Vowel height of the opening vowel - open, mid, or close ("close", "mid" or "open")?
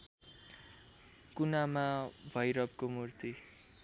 close